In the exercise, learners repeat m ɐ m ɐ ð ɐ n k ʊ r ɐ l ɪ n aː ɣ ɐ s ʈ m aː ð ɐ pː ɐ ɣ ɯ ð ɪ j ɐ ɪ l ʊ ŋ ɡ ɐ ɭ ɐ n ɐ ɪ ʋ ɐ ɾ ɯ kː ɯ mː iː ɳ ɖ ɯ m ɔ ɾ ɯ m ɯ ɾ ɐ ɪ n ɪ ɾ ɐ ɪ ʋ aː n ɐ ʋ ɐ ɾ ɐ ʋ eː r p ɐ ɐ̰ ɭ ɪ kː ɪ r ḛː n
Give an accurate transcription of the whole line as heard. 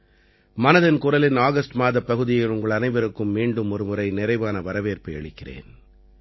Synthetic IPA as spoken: m ɐ n ɐ ð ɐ n k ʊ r ɐ l ɪ n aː ɣ ɐ s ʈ m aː ð ɐ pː ɐ ɣ ɯ ð ɪ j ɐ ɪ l ʊ ŋ ɡ ɐ ɭ ɐ n ɐ ɪ ʋ ɐ ɾ ɯ kː ɯ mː iː ɳ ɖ ɯ m ɔ ɾ ɯ m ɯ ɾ ɐ ɪ n ɪ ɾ ɐ ɪ ʋ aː n ɐ ʋ ɐ ɾ ɐ ʋ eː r p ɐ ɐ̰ ɭ ɪ kː ɪ r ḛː n